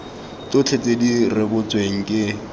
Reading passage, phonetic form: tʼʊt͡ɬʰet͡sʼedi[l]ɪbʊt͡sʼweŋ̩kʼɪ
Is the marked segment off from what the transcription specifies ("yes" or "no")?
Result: yes